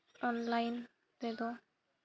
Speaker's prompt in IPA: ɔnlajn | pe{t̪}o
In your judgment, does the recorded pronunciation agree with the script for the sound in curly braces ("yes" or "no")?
no